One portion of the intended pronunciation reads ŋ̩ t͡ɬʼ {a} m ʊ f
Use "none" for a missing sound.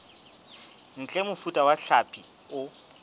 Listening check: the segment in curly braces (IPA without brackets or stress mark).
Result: ɛ